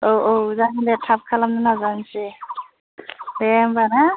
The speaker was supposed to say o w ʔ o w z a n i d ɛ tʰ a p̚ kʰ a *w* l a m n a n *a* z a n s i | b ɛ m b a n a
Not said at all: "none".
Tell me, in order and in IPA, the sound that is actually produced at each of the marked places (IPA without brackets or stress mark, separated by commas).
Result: none, a